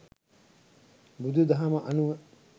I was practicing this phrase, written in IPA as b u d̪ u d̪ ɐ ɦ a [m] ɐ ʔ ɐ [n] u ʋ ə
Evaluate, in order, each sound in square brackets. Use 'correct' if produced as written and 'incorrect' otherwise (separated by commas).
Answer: correct, correct